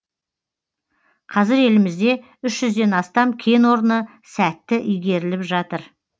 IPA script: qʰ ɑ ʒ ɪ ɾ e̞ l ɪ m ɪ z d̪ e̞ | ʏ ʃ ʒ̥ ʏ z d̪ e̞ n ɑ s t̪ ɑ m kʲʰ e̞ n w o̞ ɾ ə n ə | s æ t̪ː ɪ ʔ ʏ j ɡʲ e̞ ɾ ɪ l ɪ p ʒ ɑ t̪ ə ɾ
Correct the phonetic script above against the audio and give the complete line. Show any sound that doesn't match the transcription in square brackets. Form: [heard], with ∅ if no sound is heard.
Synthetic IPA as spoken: qʰ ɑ [z] ɪ ɾ e̞ l ɪ m ɪ z d̪ e̞ | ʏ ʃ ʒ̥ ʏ z d̪ e̞ n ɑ s t̪ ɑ m kʲʰ e̞ n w o̞ ɾ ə n ə | s æ t̪ː ɪ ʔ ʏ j ɡʲ e̞ ɾ ɪ l ɪ p ʒ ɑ t̪ ə ɾ